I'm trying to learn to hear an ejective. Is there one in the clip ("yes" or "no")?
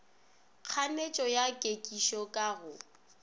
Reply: yes